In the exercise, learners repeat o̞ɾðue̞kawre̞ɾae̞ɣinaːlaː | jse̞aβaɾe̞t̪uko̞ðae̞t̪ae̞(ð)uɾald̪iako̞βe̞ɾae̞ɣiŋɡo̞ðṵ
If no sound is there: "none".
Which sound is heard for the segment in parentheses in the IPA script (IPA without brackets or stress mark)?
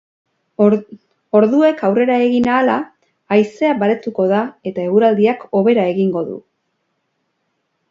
ɣ